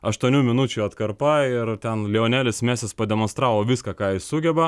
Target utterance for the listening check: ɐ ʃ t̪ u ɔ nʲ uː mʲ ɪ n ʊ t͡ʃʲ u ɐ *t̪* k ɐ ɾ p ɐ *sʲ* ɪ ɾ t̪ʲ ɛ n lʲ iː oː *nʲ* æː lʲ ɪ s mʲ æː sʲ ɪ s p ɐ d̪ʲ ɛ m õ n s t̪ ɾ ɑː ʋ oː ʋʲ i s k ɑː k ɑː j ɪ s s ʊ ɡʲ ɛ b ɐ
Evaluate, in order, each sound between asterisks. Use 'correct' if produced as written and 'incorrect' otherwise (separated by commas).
correct, incorrect, correct